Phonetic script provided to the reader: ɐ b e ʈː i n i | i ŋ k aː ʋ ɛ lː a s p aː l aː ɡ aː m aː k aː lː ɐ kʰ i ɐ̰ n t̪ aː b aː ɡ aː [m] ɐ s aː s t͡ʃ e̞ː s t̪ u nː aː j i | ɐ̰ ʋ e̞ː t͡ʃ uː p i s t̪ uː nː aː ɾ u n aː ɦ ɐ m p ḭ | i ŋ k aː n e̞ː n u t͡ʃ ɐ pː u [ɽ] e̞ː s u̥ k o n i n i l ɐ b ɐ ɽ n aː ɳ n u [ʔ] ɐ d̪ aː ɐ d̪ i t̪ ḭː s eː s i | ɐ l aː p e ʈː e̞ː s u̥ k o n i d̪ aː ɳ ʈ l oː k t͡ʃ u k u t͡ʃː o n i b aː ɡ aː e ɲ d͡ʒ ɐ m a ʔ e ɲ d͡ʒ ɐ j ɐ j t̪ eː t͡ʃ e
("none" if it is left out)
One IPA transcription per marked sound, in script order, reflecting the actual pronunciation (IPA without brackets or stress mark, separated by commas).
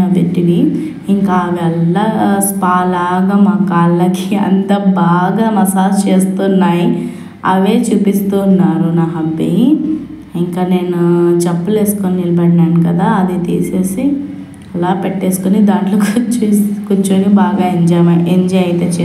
m, l, k